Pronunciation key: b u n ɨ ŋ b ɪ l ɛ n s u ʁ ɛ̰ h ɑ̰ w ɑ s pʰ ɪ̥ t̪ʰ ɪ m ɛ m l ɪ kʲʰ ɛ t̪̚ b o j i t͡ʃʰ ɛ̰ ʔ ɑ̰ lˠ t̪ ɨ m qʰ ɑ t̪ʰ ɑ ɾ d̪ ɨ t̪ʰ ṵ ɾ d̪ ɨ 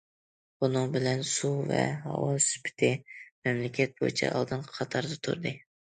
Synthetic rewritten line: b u n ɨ ŋ b ɪ l ɛ n s u v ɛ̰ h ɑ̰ w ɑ s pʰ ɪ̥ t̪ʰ ɪ m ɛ m l ɪ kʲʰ ɛ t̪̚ b o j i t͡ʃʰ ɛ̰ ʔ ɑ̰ lˠ d̪ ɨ n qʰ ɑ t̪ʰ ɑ ɾ d̪ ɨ t̪ʰ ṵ ɾ d̪ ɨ